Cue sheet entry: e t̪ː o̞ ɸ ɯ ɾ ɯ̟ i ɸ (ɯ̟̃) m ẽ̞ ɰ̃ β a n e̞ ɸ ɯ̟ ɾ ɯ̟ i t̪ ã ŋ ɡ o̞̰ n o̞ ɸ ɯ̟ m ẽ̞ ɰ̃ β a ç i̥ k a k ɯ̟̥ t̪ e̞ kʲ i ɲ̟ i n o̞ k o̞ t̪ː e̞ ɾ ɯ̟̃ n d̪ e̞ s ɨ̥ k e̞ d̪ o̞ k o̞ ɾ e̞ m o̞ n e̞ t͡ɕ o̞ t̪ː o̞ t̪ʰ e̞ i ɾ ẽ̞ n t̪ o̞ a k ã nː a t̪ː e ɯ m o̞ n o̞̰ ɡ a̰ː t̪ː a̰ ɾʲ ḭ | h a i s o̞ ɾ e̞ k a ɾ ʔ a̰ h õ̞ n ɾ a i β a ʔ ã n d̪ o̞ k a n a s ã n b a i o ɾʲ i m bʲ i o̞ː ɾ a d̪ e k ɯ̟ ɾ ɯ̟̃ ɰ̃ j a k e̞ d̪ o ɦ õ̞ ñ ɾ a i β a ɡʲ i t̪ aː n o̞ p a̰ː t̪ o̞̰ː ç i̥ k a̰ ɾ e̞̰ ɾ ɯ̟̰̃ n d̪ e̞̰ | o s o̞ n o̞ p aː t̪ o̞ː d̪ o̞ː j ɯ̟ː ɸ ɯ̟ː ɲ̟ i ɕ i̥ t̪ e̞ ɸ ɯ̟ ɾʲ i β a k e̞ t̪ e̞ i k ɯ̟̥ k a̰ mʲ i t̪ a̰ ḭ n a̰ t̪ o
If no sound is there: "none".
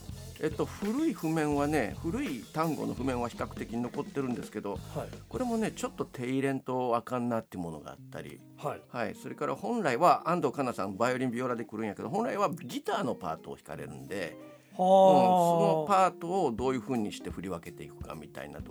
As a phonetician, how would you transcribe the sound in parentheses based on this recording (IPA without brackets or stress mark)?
ɯ̟